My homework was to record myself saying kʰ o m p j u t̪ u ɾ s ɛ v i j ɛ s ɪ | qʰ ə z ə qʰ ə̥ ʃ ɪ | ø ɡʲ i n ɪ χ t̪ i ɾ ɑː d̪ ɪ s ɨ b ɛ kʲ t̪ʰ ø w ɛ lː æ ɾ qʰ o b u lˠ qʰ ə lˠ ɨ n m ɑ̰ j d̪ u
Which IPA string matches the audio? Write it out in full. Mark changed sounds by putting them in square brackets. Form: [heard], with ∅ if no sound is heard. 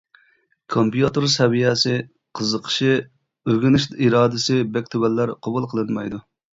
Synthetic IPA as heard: kʰ o m p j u t̪ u ɾ s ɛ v i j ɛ s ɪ | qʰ ə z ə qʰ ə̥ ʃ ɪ | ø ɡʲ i n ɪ [ʃ] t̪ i ɾ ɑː d̪ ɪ s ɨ b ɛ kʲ t̪ʰ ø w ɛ lː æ ɾ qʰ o b u lˠ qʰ ə lˠ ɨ n m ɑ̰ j d̪ u